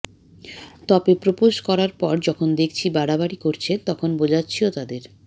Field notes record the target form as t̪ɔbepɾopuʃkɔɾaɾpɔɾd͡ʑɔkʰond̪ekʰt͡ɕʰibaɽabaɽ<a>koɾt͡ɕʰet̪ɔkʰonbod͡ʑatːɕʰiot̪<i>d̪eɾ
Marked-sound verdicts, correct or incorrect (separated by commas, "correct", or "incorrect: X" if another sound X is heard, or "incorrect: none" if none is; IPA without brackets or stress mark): incorrect: i, incorrect: a